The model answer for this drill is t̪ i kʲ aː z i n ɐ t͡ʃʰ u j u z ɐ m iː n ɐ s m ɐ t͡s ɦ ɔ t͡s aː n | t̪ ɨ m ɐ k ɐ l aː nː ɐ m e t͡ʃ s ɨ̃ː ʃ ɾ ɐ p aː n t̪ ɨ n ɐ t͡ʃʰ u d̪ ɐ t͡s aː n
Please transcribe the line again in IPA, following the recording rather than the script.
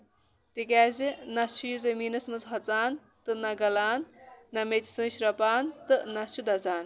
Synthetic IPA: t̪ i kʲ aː z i n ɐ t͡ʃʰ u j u z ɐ m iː n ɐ s m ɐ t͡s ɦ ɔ t͡s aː n | t̪ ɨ n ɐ ɡ ɐ l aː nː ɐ m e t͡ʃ s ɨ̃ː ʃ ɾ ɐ p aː n t̪ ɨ n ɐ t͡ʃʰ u d̪ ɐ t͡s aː n